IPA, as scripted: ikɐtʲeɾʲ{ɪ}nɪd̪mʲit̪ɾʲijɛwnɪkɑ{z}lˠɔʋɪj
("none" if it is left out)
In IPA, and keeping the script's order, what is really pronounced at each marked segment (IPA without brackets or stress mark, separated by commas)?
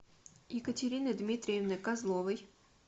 i, z